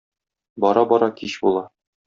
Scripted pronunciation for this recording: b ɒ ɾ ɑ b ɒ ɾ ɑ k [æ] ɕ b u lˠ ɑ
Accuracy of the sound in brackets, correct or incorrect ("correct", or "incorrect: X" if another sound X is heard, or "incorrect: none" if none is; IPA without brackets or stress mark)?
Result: incorrect: i